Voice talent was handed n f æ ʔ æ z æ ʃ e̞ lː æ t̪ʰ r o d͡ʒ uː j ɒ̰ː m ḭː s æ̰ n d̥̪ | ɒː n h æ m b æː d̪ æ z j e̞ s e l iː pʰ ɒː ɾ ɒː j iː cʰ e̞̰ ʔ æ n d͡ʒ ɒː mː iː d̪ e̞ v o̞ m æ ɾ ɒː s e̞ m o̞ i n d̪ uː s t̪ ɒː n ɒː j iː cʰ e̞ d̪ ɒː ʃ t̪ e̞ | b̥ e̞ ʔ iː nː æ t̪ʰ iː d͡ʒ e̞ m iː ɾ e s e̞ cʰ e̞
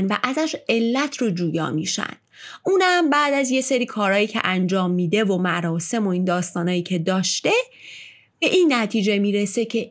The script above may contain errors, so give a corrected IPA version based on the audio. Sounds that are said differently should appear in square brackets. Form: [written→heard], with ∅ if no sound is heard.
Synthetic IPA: n [f→v] æ ʔ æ z æ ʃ e̞ lː æ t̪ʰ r o d͡ʒ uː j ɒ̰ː m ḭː [s→ʃ] æ̰ n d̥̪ | [ɒː→uː] n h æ m b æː d̪ æ z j e̞ s e [l→ɾ] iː [pʰ→kʰ] ɒː ɾ ɒː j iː cʰ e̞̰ ʔ æ n d͡ʒ ɒː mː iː d̪ e̞ v o̞ m æ ɾ ɒː s e̞ m o̞ i n d̪ [uː→ɒː] s t̪ ɒː n ɒː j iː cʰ e̞ d̪ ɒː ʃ t̪ e̞ | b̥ e̞ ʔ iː nː æ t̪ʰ iː d͡ʒ e̞ m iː ɾ e s e̞ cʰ e̞